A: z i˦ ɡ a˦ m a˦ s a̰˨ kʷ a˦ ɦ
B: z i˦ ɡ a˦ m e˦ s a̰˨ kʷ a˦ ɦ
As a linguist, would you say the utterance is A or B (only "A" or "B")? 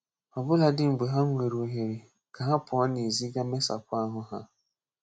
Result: B